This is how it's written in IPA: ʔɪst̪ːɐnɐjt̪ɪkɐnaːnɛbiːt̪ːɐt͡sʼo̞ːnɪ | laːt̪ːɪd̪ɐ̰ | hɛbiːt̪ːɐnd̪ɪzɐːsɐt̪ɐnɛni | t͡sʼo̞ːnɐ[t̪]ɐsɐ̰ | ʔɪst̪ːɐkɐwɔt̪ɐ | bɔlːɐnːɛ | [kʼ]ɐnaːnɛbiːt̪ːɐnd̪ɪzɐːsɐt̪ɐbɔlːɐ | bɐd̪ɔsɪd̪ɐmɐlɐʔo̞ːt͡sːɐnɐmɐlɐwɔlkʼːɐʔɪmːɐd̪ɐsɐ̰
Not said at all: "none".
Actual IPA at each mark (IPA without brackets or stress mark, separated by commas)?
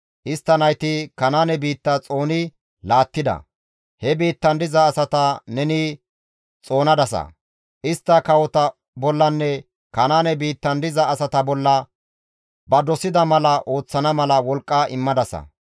d̪, k